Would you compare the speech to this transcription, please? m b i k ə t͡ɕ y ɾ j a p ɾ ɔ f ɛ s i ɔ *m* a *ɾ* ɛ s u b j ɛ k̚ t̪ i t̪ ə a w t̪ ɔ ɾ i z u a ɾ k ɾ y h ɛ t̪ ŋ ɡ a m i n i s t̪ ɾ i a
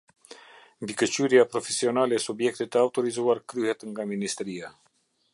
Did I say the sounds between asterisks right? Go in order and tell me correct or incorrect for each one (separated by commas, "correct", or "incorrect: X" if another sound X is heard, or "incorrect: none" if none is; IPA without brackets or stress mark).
incorrect: n, incorrect: l